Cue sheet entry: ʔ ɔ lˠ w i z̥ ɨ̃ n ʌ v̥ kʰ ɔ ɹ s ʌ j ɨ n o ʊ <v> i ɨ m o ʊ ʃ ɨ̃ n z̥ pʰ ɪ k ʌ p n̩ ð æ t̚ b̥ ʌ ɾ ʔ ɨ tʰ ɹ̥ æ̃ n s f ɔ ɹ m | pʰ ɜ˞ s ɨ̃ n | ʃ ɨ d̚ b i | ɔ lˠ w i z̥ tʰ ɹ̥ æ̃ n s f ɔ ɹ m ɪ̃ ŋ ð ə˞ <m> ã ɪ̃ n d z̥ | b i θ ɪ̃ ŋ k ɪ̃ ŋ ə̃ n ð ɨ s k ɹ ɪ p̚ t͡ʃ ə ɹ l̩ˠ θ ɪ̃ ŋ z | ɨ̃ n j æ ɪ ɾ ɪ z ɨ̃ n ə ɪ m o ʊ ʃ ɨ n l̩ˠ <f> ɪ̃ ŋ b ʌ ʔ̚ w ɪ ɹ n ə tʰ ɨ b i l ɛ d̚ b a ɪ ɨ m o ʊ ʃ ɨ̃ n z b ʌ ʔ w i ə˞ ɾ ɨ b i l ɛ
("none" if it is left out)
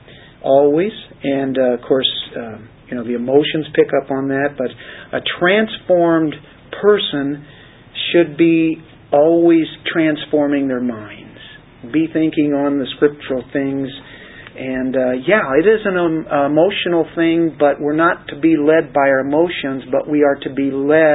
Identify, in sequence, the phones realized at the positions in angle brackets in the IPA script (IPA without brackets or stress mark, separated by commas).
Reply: ð, m, θ